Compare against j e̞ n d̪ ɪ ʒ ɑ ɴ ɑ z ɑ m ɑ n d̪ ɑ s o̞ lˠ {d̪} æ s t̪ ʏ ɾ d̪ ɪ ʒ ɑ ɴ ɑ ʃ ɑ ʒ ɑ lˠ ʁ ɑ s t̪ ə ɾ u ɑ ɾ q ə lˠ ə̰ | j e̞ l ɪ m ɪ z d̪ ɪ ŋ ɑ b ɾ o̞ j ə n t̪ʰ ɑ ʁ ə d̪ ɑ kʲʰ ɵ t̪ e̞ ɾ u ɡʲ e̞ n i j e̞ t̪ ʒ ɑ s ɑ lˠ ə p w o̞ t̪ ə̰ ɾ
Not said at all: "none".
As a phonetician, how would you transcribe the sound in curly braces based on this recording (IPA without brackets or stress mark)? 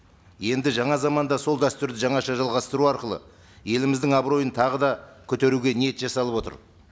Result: d̪